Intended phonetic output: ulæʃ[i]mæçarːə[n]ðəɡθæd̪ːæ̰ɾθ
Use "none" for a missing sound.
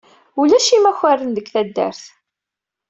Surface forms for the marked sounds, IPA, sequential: i, n

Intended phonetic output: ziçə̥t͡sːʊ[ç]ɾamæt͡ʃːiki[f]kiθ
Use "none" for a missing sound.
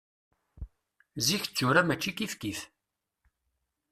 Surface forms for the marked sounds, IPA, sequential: none, f

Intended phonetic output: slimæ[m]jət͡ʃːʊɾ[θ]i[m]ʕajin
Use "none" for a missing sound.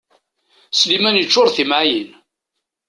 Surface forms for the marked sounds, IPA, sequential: n, θ, m

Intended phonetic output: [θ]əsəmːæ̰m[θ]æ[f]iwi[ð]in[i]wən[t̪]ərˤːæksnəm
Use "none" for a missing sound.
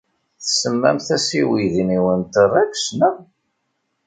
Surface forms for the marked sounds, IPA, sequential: θ, θ, s, ð, i, t̪

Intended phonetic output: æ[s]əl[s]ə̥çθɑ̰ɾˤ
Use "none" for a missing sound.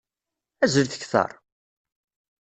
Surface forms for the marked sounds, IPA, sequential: z, θ

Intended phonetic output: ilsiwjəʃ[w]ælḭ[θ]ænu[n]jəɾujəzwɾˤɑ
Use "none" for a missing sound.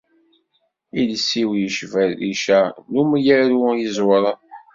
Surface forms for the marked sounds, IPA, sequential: v, ʃ, m

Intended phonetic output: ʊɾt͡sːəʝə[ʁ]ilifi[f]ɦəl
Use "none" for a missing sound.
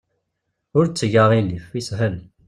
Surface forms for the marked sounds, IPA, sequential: ʁ, s

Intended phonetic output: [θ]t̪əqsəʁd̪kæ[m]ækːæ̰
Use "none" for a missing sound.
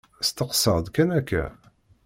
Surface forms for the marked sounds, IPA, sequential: s, n

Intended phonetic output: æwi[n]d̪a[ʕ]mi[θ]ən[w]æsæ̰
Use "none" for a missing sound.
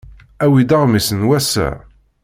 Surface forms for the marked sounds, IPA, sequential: none, ʁ, s, w

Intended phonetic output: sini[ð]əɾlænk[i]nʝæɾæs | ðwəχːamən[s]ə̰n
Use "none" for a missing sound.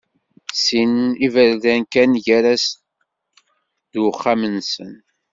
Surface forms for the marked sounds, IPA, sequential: v, æ, s

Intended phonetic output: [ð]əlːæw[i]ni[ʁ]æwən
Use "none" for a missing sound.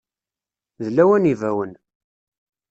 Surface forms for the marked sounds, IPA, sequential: ð, æ, v

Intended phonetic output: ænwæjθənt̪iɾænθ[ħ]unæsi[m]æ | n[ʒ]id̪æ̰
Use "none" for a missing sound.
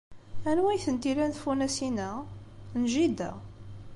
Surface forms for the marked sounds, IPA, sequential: f, n, ʒ

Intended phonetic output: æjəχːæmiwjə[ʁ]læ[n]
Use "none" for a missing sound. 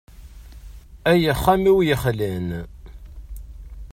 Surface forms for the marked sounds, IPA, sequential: χ, n

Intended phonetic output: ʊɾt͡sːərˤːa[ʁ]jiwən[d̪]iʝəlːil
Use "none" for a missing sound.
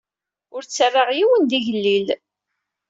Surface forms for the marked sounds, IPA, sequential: ʁ, d̪

